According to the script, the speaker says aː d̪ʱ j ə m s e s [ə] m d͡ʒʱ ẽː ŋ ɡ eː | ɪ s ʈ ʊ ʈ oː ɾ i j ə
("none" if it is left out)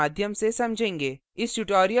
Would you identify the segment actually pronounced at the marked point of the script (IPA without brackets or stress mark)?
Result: ɐ